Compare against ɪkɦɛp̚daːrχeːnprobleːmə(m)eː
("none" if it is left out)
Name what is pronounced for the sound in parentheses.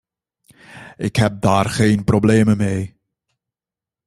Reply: m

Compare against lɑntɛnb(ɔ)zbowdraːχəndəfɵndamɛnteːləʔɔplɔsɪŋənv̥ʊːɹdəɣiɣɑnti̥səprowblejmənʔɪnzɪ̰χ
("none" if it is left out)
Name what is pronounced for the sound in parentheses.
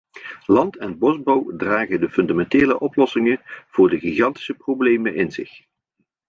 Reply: ɔ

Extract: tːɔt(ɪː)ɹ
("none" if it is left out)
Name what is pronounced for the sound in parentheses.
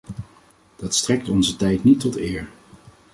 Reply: ɪː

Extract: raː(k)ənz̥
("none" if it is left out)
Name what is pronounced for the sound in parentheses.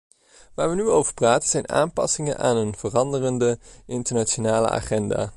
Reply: t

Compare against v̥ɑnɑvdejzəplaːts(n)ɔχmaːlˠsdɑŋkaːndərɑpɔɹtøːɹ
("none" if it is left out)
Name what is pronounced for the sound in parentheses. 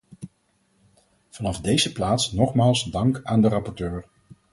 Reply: n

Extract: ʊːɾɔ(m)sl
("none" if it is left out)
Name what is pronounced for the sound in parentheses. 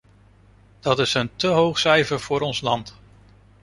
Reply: n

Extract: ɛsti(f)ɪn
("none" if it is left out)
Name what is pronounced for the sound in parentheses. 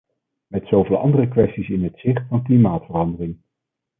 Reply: s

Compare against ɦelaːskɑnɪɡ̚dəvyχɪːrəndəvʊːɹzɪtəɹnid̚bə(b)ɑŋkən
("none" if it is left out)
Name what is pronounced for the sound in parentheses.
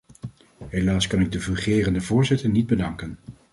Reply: d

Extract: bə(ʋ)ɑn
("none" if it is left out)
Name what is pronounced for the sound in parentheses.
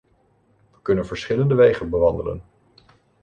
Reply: ʋ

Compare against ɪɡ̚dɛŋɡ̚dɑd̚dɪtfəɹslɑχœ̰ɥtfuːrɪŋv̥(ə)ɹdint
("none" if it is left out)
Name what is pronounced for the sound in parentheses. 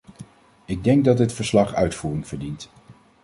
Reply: ə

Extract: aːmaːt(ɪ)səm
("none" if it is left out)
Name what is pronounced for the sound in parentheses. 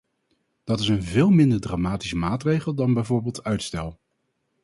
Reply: i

